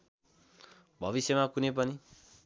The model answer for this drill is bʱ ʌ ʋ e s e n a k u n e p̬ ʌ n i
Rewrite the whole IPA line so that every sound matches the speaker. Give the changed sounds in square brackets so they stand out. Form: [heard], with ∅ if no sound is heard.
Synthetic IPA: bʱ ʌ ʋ [i] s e [m] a k u n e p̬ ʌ n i